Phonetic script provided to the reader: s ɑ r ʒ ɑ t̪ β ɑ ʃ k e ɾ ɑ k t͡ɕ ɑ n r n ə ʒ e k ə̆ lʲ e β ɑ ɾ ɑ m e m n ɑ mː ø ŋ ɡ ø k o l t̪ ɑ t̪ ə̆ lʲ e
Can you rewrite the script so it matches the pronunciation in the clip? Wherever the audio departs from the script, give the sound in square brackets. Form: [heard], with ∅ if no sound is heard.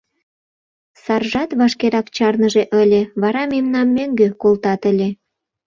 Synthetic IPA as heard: s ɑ r ʒ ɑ t̪ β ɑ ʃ k e ɾ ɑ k t͡ɕ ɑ [∅] r n ə ʒ e [ʔ] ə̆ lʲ e β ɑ ɾ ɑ m e m n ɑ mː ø ŋ ɡ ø k o l t̪ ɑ t̪ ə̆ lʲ e